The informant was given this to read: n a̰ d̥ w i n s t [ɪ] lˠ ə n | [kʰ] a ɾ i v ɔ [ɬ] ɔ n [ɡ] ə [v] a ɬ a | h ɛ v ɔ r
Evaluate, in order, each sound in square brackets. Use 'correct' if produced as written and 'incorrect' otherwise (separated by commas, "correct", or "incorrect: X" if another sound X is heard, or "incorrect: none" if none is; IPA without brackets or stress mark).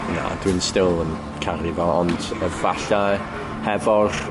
correct, correct, incorrect: none, incorrect: d, correct